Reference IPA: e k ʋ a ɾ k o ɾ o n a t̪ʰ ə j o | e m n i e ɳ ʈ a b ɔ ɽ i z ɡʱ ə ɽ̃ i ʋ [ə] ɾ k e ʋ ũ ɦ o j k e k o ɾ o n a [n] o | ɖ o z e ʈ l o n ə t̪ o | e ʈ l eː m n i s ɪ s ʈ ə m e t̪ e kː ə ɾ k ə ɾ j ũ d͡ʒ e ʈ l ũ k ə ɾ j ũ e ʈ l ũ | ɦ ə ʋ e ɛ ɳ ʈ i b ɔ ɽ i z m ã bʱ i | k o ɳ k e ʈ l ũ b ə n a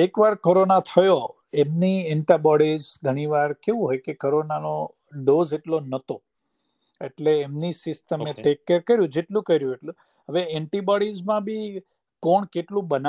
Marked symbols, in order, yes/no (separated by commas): no, yes